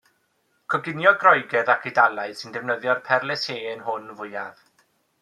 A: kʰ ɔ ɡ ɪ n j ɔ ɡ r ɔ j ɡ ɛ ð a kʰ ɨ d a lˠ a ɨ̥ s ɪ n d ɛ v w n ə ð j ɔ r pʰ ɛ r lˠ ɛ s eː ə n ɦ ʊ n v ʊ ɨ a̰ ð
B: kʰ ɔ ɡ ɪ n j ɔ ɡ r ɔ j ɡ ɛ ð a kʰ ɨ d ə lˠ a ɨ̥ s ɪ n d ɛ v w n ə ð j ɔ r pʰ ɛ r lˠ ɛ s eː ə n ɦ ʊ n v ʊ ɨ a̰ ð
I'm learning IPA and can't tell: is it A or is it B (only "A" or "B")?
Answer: A